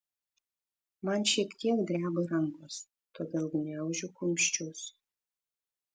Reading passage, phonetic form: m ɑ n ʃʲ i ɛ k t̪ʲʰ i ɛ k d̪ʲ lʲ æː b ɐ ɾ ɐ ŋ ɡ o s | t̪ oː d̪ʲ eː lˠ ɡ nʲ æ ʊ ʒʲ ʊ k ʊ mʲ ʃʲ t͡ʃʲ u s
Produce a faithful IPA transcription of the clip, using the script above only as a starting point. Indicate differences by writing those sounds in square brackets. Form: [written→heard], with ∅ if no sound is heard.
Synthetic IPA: m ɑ n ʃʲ i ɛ k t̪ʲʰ i ɛ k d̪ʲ [lʲ→ɾʲ] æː b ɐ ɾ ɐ ŋ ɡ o s | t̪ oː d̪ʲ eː lˠ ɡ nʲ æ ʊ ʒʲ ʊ k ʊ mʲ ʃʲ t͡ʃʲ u s